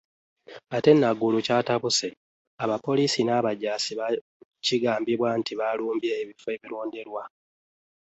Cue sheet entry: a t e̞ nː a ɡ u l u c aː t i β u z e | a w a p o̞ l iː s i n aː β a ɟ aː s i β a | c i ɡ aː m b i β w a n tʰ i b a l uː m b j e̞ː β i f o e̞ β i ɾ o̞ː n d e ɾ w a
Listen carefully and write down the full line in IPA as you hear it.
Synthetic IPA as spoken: a t e̞ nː a ɡ u l u c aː t a β u s e | a β a p o̞ l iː s i n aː β a ɟ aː s i β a | c i ɡ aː m b i β w a n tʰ i β a l uː m b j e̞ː β i f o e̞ β i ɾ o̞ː n d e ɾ w a